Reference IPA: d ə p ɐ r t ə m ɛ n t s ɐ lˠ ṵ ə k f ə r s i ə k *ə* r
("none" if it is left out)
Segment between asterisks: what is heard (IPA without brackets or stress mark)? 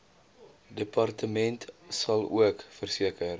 ə